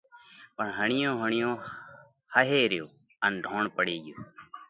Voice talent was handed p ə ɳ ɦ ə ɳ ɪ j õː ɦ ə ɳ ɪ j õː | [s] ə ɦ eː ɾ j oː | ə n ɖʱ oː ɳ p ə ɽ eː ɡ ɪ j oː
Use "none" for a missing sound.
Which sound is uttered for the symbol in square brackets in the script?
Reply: h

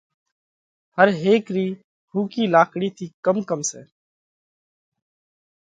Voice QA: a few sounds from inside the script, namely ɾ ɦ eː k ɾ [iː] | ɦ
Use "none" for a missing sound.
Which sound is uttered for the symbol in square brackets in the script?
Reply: iː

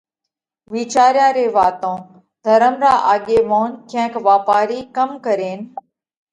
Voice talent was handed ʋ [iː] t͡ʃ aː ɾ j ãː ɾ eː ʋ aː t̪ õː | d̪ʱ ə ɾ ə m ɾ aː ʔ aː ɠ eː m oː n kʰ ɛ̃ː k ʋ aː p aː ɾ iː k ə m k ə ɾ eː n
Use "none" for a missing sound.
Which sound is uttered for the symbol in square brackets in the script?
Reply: iː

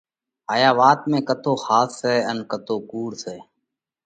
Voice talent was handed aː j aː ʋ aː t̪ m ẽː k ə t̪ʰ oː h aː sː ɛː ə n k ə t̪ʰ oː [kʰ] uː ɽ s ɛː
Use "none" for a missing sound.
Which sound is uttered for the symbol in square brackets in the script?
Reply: k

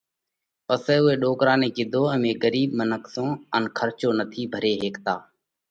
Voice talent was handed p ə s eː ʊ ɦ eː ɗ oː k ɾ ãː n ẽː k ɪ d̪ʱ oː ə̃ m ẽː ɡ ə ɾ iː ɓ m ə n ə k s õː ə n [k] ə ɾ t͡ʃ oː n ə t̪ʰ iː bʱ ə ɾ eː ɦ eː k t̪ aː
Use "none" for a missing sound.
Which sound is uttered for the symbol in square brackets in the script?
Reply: kʰ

